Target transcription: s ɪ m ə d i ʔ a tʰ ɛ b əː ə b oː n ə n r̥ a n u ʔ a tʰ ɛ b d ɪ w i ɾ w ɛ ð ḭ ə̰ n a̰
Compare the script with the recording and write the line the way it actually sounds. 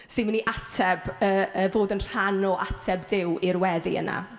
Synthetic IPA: s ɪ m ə n i ʔ a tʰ ɛ b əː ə v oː d ə n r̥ a n ɔ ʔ a tʰ ɛ b d ɪ w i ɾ w ɛ ð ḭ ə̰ n a̰

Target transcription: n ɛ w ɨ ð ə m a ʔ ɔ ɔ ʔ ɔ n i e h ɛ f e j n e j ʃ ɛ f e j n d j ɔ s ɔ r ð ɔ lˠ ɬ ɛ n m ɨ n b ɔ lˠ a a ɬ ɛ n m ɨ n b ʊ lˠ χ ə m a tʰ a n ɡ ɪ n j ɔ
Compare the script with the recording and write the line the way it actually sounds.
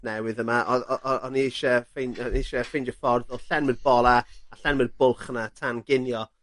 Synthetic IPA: n ɛ w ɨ ð ə m a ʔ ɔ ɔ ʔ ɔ n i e ʃ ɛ f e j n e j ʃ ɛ f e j n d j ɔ f ɔ r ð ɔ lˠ ɬ ɛ n m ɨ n b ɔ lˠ a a ɬ ɛ n m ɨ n b ʊ lˠ χ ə n a tʰ a n ɡ ɪ n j ɔ

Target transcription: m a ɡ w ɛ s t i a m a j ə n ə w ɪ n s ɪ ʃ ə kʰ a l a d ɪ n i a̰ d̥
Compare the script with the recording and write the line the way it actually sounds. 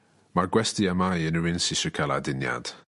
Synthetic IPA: m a ɡ w ɛ s t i a m a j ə n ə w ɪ n s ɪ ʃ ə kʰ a l a d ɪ n j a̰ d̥

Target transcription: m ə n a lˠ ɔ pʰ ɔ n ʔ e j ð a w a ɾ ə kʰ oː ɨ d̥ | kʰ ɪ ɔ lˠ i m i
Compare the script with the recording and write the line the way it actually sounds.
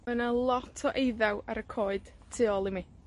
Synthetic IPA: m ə n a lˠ ɔ tʰ ɔ ʔ e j ð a w a ɾ ə kʰ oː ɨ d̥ | tʰ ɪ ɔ lˠ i m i

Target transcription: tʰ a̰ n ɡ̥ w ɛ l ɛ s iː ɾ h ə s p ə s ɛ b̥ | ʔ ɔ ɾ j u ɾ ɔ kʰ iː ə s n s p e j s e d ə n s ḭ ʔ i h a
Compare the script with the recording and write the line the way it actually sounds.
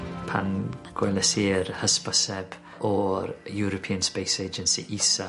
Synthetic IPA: pʰ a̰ n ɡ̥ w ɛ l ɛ s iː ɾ h ə s p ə s ɛ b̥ | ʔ ɔ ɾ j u ɾ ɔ pʰ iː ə n s p e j s e d͡ʒ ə n s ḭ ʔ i s a

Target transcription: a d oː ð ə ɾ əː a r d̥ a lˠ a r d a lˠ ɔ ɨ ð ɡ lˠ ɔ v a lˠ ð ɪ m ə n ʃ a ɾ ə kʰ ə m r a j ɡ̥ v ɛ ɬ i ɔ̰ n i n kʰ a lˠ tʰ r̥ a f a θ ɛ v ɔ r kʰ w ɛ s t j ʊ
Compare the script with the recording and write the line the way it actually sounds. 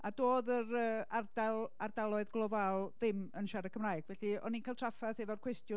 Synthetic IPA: a d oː ð ə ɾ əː a r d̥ a lˠ a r d a lˠ ɔ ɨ ð ɡ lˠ ɔ v a lˠ ð ɪ m ə n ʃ a ɾ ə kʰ ə m r a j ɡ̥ v ɛ ɬ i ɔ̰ n i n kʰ a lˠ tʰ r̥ a f a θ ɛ v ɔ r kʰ w ɛ s t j ʊ

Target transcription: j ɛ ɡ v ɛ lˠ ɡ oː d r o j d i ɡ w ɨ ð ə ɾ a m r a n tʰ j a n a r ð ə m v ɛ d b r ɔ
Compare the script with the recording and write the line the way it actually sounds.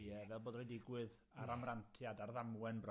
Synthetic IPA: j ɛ v ɛ lˠ b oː d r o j d ɪ ɡ w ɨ ð a ɾ a m r a n tʰ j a d a r ð a m w ɛ n b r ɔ

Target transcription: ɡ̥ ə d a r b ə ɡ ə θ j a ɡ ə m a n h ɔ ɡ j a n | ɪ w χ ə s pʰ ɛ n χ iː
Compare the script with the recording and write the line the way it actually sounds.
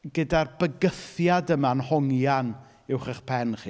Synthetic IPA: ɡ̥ ə d a r b ə ɡ ə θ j a d ə m a n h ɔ ŋ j a n | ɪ w χ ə χ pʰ ɛ n χ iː

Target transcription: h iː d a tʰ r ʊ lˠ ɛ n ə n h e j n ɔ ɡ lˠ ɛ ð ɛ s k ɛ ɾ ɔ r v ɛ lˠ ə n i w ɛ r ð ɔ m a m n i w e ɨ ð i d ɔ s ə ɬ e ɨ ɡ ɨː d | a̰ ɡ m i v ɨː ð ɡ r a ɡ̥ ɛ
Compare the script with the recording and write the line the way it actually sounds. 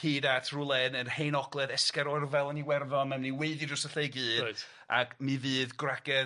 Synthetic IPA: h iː d a tʰ r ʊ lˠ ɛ n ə n h e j n ɔ ɡ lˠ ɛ ð ɛ s k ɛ ɾ ɔ r v ɛ lˠ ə n i w ɛ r ð ɔ m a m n i w e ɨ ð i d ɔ s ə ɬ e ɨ ɡ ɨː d | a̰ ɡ m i v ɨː ð ɡ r a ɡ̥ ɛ

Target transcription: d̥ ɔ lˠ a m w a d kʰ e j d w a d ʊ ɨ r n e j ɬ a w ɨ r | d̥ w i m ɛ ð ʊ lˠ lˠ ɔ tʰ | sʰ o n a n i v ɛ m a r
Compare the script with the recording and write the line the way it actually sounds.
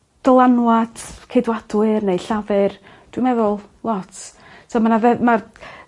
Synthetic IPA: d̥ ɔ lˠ a n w a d kʰ e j d w a d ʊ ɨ r n e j ɬ a v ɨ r | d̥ w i m ɛ ð ʊ lˠ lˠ ɔ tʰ | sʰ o m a n a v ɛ m a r

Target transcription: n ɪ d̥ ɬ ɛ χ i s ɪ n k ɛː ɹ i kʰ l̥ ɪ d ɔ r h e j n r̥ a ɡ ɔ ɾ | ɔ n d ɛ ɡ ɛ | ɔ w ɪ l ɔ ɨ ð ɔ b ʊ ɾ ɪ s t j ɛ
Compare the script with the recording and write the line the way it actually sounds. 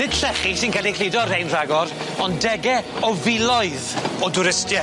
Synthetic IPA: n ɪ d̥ ɬ ɛ χ i s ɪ n k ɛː l i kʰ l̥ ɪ d ɔ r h e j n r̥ a ɡ ɔ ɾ | ɔ n d ɛ ɡ ɛ | ɔ v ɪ l ɔ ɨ ð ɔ d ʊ ɾ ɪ s t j ɛ

